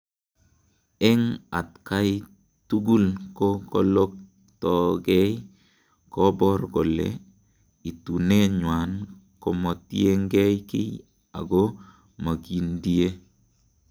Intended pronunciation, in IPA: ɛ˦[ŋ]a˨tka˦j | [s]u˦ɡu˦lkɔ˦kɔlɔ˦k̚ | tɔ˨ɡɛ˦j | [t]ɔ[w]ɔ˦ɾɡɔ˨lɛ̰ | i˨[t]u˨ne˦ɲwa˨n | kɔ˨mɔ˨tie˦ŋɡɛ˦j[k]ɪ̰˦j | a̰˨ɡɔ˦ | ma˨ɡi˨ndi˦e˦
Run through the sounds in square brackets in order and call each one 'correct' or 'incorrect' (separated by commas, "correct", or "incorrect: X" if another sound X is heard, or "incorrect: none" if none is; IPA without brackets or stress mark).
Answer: correct, incorrect: t, incorrect: k, incorrect: b, correct, correct